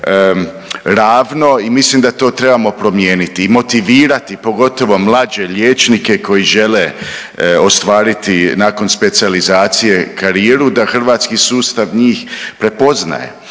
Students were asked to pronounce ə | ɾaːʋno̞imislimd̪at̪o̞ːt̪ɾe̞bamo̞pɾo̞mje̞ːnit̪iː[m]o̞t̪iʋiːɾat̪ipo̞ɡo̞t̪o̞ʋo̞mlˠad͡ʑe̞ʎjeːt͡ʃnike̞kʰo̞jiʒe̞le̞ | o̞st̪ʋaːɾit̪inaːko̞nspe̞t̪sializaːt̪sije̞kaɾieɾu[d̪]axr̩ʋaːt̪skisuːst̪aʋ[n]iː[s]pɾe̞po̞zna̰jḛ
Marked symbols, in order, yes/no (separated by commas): yes, yes, no, no